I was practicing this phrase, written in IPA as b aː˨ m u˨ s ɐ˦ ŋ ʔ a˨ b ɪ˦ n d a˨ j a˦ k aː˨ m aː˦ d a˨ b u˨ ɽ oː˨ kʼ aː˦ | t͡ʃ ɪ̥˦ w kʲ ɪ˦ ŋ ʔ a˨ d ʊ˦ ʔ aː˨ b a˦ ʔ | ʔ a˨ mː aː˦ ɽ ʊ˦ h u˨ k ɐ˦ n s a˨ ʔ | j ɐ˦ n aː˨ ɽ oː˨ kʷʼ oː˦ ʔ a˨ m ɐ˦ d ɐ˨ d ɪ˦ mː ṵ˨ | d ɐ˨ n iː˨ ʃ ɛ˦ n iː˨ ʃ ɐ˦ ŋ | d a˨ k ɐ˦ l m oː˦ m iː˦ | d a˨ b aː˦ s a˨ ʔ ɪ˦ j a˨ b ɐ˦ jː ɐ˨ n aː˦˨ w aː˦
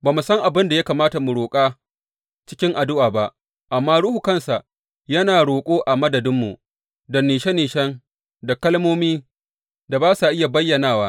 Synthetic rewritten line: b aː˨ m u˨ s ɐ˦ ŋ ʔ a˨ b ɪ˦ n d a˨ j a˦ k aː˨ m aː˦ t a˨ m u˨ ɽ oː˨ kʼ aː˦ | t͡ʃ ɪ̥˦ kʲ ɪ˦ ŋ ʔ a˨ d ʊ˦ ʔ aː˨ b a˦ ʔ | ʔ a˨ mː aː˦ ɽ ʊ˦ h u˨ k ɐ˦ n s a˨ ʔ | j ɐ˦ n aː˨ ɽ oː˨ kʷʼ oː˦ ʔ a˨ m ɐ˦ d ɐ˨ d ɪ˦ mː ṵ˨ | d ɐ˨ n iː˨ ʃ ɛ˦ n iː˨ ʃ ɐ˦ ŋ | d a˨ k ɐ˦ l m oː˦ m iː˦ | d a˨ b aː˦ s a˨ ʔ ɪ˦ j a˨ b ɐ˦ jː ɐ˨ n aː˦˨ w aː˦